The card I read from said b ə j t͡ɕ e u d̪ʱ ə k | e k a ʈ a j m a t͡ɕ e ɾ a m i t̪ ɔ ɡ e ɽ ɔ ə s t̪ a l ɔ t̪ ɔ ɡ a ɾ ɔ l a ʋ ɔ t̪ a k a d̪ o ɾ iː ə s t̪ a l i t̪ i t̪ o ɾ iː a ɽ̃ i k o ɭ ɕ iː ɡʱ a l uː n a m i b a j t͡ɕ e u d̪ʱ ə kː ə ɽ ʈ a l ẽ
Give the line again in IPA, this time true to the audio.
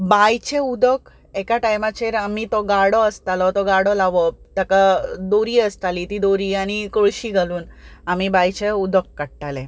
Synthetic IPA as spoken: b a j t͡ɕ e u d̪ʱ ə k | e k a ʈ a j m a t͡ɕ e ɾ a m i t̪ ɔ ɡ a ɽ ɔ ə s t̪ a l ɔ t̪ ɔ ɡ a ɽ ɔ l a ʋ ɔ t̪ a k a d̪ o ɾ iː ə s t̪ a l i t̪ i d̪ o ɾ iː a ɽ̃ i k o ɭ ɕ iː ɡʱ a l uː n a m i b a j t͡ɕ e u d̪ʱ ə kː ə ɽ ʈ a l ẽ